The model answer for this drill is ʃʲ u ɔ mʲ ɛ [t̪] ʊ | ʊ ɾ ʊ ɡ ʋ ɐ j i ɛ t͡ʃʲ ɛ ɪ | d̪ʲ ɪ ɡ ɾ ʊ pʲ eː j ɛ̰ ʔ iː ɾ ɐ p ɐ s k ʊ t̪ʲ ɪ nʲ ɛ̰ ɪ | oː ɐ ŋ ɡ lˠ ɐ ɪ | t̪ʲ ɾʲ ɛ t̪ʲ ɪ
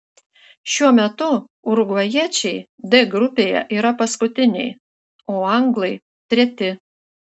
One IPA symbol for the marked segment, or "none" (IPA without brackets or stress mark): t̪